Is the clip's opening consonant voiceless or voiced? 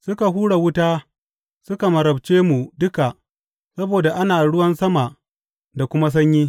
voiceless